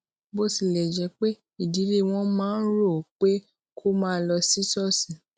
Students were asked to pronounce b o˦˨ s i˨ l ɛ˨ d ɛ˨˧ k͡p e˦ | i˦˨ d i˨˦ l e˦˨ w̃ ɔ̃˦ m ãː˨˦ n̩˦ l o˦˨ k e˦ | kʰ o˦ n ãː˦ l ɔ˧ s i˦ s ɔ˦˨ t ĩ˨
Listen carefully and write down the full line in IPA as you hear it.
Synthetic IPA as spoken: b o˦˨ s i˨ l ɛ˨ d͡ʒ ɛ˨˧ k͡p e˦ | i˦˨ d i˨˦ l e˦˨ w̃ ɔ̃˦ m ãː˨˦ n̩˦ ɾ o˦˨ k͡p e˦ | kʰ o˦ m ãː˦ l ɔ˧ s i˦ s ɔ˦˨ s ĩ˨